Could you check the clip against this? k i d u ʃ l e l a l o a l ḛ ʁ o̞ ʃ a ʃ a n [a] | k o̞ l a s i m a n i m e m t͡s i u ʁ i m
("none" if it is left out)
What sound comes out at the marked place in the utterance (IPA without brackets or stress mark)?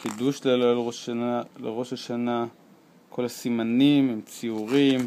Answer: a